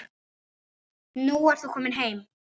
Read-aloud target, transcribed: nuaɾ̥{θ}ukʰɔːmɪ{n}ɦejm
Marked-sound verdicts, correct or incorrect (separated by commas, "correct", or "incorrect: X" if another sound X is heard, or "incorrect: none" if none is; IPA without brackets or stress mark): correct, correct